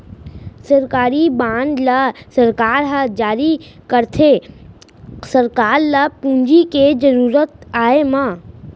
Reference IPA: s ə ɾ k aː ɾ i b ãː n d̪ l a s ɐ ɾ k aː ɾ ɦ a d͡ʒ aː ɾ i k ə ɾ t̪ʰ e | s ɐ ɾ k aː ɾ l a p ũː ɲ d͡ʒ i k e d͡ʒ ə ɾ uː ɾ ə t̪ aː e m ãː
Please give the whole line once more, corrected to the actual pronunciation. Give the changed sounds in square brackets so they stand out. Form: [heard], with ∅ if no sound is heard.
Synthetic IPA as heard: s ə ɾ k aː ɾ i b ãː n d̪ l a s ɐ ɾ k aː ɾ ɦ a d͡ʒ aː ɾ i k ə ɾ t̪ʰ e | s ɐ ɾ k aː ɾ l a p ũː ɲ d͡ʒ i k e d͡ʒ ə ɾ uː ɾ ə t̪ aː e m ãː